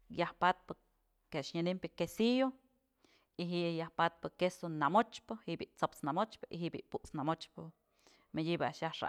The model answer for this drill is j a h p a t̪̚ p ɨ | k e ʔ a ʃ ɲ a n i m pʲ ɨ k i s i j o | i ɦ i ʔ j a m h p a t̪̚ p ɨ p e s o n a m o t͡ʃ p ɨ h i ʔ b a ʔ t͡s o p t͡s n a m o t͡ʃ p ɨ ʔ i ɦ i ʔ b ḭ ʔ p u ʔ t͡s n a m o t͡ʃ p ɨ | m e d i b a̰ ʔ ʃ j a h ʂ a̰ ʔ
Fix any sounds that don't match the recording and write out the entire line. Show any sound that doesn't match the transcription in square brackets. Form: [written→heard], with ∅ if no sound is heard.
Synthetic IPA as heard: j a h p a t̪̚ p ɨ | k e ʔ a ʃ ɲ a n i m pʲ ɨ k [i→e] s i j o | i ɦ i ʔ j a [m→∅] h p a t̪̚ p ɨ [p→k] e s o n a m o t͡ʃ p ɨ h i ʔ b [a→i] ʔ t͡s o p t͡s n a m o t͡ʃ p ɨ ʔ i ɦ i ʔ b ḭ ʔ p u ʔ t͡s n a m o t͡ʃ p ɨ | m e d i b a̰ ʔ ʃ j a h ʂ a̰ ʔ